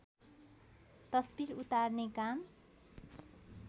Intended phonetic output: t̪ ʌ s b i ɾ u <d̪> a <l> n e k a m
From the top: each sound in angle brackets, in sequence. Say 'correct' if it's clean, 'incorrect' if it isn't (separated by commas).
incorrect, incorrect